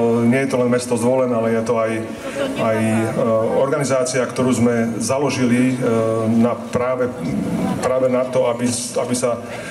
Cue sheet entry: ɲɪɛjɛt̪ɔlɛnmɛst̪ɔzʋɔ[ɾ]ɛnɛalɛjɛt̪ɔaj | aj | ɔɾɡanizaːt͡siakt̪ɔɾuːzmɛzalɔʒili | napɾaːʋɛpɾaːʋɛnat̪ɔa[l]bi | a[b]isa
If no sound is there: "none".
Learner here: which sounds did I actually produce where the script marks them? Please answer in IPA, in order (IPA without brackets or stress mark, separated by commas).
l, none, b